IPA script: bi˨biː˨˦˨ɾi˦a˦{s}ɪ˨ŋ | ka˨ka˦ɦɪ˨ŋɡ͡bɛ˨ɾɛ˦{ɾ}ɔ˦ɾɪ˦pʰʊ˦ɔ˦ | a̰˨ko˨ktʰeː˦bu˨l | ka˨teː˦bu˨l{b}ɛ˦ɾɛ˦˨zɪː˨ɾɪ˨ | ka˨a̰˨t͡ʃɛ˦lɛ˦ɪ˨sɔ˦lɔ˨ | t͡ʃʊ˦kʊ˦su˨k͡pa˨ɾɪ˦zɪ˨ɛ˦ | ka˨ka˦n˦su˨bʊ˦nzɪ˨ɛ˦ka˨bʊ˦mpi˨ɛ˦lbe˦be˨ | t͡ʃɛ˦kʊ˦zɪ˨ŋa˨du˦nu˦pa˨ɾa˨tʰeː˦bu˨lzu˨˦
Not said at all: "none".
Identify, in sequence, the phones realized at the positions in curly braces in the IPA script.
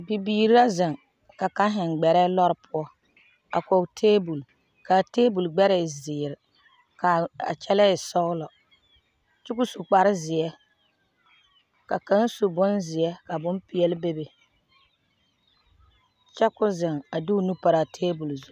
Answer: z, l, ɡ͡b

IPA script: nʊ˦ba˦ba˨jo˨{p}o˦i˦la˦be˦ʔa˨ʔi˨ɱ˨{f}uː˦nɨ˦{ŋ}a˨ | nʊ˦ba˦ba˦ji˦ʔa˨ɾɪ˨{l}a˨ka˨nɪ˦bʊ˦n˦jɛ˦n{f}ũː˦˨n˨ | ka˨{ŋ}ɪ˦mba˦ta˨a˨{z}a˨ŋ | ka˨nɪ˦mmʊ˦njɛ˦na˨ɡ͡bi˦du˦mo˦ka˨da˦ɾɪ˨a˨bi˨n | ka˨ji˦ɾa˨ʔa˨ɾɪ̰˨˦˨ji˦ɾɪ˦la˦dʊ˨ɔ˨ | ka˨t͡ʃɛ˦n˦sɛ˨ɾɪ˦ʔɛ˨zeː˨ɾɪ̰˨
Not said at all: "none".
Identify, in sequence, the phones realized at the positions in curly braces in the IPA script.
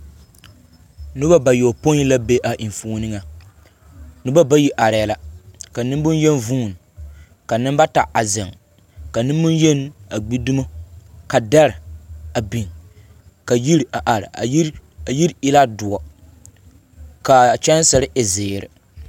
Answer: p, f, ŋ, l, v, n, z

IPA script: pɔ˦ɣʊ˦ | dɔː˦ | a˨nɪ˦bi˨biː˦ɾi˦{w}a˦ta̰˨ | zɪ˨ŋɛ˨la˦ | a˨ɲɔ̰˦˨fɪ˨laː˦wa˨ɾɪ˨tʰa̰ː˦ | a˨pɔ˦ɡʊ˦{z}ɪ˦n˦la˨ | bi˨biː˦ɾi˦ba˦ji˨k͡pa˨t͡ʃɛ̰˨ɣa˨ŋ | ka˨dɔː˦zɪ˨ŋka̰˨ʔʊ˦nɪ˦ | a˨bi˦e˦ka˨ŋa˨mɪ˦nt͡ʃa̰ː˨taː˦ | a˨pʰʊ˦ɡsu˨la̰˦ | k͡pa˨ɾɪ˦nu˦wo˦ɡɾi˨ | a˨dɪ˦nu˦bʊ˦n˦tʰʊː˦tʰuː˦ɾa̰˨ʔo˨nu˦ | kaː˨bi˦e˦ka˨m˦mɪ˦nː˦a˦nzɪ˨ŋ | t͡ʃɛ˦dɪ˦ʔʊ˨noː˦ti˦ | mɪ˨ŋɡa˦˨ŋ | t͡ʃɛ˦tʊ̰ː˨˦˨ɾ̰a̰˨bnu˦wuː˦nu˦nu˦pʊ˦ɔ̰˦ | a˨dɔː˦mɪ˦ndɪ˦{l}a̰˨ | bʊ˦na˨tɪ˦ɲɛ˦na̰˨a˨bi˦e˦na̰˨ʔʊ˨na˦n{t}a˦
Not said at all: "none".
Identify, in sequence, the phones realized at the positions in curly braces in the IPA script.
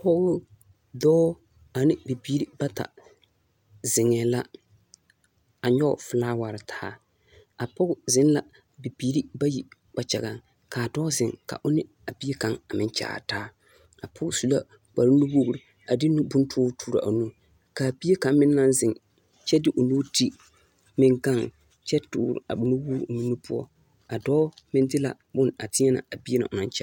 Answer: b, z, l, t͡ʃ

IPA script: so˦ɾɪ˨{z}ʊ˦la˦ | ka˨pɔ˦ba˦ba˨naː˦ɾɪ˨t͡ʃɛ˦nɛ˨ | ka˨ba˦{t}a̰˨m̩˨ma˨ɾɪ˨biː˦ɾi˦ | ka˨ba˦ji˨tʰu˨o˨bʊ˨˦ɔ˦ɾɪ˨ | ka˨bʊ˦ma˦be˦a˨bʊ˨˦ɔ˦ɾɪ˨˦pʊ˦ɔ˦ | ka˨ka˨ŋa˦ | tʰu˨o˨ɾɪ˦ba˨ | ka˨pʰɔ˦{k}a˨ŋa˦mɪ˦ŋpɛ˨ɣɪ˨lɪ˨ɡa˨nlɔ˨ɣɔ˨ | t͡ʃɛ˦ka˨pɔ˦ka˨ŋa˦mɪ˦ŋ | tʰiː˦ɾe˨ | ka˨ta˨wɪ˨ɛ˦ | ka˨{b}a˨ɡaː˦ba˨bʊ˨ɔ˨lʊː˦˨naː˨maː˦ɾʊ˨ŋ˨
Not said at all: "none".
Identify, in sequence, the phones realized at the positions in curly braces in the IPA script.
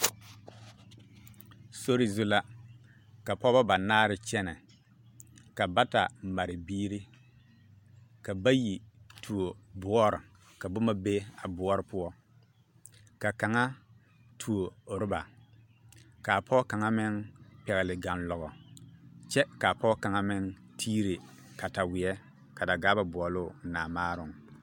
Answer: z, t, k, d

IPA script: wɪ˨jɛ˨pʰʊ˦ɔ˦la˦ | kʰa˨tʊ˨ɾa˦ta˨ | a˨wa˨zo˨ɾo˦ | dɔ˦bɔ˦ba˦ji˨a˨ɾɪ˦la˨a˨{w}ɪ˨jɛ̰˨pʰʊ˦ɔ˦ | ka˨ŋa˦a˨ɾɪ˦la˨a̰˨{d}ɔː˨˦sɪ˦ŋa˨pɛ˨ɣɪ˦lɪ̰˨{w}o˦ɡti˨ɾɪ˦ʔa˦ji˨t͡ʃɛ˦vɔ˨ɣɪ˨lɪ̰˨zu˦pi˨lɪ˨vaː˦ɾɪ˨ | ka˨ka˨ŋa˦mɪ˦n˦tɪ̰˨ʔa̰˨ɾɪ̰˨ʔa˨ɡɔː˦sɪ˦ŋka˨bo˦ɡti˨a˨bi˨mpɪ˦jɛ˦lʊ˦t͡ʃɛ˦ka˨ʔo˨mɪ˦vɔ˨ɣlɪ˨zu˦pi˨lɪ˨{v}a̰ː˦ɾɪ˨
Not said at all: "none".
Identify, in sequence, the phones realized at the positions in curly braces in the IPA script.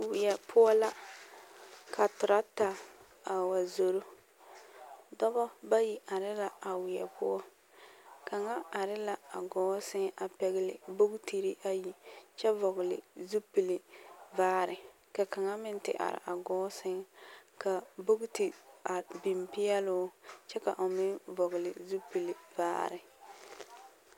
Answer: w, ɡ, b, v

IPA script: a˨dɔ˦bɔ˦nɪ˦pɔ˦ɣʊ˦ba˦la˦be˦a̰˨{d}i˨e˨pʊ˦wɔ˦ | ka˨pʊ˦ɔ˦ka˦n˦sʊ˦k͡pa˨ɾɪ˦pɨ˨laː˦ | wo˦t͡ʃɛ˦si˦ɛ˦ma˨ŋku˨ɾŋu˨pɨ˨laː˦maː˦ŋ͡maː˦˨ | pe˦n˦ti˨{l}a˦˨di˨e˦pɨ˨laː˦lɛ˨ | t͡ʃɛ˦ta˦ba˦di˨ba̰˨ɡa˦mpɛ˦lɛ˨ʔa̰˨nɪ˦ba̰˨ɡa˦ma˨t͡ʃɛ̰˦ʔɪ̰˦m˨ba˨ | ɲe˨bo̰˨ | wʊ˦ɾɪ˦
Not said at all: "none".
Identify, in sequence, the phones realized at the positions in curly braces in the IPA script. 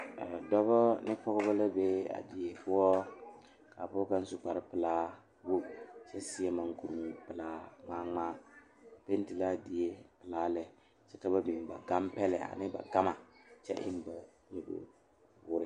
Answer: d, l

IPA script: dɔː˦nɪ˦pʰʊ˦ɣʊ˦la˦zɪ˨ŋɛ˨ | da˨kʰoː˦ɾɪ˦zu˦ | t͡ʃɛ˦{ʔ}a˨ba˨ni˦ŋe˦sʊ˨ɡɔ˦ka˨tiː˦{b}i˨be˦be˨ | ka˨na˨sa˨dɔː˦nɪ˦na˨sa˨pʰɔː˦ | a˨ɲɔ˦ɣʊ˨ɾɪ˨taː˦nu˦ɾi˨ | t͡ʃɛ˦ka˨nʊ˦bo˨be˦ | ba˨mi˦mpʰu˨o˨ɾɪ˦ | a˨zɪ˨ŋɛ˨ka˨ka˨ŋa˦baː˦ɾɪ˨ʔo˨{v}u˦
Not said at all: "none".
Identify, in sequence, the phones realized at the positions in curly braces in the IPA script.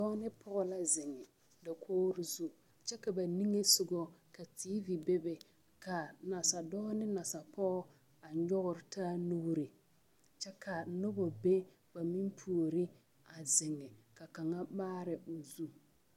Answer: k, v, z

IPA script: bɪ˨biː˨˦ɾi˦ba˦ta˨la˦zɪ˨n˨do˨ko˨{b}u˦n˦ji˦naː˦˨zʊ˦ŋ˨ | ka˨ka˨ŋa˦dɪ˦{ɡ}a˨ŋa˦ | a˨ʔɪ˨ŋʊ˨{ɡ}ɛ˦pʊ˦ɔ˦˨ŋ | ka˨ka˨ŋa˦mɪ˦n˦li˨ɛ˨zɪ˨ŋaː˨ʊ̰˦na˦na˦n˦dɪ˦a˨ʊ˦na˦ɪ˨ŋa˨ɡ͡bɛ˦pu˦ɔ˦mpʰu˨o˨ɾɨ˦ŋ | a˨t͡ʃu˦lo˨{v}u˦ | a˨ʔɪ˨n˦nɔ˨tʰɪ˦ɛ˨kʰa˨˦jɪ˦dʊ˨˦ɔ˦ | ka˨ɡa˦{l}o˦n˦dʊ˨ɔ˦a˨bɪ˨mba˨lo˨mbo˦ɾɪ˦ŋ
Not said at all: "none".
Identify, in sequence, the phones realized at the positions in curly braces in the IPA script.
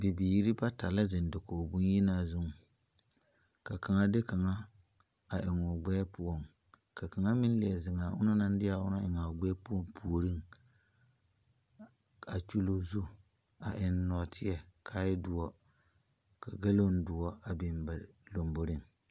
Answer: b, k, ɡ͡b, z, l

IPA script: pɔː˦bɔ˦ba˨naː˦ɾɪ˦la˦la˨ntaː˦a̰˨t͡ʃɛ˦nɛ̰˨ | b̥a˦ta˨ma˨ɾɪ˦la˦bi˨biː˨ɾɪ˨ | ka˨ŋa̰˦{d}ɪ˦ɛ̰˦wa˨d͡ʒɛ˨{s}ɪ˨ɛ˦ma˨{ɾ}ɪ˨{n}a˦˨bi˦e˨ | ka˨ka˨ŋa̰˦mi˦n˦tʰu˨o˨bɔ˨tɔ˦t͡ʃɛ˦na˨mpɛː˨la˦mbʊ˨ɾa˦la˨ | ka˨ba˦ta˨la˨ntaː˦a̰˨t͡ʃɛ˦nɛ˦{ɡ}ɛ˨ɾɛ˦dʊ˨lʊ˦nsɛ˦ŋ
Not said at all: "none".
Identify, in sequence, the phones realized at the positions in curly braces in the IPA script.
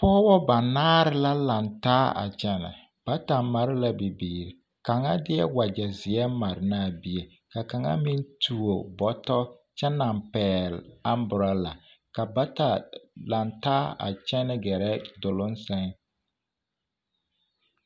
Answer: d, z, ɾ, n, ɡ

